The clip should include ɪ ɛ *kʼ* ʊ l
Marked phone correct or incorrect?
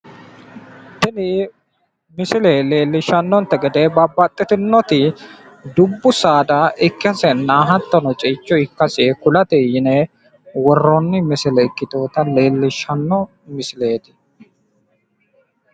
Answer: incorrect: k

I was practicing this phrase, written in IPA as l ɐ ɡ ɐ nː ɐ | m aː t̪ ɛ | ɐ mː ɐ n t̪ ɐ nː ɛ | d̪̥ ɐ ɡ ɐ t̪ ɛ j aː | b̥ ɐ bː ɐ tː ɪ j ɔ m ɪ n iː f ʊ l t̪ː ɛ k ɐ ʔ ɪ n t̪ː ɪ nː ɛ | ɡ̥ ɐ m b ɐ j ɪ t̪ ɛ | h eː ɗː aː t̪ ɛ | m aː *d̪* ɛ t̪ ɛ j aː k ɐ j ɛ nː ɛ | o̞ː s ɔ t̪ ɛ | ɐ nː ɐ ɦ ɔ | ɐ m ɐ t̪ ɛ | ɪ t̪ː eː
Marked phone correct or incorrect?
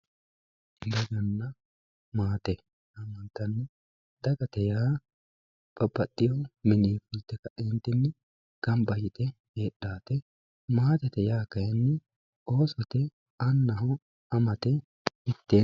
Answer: incorrect: t̪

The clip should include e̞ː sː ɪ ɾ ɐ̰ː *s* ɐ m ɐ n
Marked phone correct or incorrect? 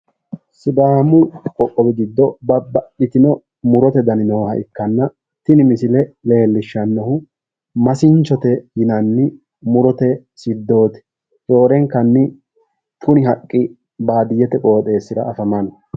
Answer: incorrect: f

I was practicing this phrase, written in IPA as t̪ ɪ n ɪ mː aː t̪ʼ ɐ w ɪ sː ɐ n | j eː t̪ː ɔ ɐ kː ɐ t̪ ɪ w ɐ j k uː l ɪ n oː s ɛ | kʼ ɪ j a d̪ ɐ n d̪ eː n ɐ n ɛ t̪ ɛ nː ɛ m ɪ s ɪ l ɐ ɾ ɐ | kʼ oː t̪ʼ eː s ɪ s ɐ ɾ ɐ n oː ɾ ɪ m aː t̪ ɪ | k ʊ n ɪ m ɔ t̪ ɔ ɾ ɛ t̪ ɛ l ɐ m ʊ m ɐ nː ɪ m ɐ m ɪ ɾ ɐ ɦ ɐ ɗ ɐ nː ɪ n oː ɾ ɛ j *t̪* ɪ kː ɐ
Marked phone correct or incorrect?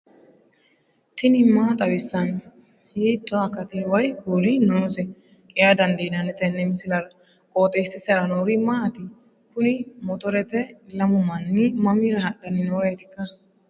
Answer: correct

